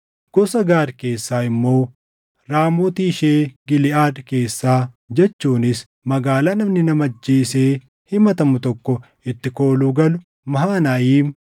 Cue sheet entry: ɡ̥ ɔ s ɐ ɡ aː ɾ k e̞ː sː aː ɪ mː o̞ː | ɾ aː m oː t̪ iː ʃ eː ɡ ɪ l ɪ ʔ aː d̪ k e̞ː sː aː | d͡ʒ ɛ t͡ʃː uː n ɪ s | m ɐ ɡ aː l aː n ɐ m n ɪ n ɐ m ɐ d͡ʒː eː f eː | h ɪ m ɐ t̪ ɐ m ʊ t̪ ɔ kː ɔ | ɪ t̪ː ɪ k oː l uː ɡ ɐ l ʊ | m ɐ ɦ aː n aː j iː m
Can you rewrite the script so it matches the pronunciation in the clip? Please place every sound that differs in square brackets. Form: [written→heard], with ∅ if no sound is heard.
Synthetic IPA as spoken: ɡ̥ ɔ s ɐ ɡ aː ɾ k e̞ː sː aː ɪ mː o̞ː | ɾ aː m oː t̪ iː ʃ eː ɡ ɪ l ɪ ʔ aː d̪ k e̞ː sː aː | d͡ʒ ɛ t͡ʃː uː n ɪ s | m ɐ ɡ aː l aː n ɐ m n ɪ n ɐ m ɐ d͡ʒː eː [f→s] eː | h ɪ m ɐ t̪ ɐ m ʊ t̪ ɔ kː ɔ | ɪ t̪ː ɪ k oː l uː ɡ ɐ l ʊ | m ɐ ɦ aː n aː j iː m